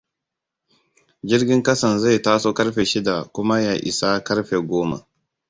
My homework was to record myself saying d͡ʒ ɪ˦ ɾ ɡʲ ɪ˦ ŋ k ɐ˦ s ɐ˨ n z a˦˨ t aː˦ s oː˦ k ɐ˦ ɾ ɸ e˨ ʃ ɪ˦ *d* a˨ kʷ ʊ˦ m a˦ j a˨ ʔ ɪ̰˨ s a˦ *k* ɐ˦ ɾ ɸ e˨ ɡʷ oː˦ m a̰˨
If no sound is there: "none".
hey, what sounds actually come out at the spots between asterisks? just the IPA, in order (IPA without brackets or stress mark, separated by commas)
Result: d, k